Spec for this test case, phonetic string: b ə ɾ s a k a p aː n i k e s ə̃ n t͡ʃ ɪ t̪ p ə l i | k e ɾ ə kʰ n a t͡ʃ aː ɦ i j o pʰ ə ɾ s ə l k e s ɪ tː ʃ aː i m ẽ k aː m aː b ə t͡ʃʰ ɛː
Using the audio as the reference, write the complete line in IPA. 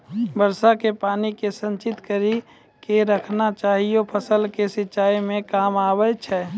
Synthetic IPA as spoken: b ə ɾ s a k e p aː n i k e s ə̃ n t͡ʃ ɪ t̪ k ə ɾ i | k e ɾ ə kʰ n a t͡ʃ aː ɦ i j o pʰ ə s ə l k e s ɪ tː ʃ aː i m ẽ k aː m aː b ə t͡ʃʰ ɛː